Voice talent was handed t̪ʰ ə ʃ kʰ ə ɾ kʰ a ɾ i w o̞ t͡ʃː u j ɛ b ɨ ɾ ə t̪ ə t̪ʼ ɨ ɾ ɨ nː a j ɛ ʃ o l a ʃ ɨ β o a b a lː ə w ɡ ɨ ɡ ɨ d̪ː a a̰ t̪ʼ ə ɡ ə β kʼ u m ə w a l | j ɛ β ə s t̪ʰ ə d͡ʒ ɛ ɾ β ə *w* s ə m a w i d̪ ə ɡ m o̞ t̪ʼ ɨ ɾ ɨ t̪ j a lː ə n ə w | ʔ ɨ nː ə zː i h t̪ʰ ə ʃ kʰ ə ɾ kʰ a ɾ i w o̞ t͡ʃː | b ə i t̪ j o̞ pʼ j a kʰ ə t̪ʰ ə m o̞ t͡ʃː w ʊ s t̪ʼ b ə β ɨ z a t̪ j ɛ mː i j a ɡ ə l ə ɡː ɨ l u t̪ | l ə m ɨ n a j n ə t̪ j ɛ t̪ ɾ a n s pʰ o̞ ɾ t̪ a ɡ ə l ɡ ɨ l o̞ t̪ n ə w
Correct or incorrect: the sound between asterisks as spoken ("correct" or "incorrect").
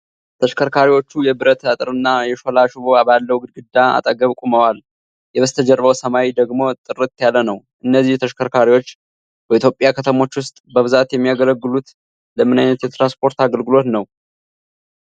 correct